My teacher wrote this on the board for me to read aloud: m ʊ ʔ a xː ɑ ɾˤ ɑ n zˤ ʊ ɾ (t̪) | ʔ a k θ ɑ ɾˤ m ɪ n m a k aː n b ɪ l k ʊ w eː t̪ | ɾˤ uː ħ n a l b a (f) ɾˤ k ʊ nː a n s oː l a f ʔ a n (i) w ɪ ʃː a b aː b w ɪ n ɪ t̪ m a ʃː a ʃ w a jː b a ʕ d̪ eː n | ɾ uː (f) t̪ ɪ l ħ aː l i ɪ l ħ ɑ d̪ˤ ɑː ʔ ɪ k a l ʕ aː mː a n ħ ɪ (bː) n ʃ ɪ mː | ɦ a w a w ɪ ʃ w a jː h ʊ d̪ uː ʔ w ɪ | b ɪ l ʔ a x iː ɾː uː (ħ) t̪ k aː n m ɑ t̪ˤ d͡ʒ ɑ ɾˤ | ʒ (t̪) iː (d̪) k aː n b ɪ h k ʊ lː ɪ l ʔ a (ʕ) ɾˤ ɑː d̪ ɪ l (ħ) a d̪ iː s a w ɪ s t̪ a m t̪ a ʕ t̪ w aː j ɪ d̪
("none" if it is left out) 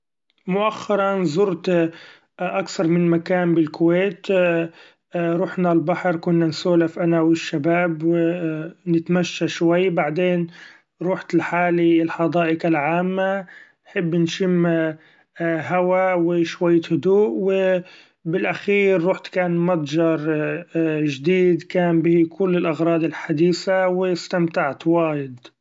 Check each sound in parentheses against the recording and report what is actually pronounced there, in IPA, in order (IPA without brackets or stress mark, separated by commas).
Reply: t̪, ħ, a, ħ, bː, ħ, d̪, d̪, ɣ, ħ